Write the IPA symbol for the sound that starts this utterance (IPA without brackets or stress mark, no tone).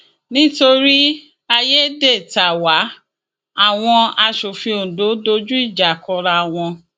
n